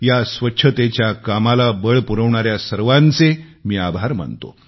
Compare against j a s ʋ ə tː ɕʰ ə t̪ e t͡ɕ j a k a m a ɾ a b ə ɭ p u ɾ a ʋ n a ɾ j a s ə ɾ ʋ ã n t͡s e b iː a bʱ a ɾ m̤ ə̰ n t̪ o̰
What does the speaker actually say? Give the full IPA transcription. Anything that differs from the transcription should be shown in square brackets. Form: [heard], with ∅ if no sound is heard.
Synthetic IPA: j a s ʋ ə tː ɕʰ ə t̪ e t͡ɕ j a k a m a [l] a b ə ɭ p u ɾ [ə] ʋ [ɳ] a ɾ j a s ə ɾ ʋ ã n t͡s e [m] iː a bʱ a ɾ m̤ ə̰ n t̪ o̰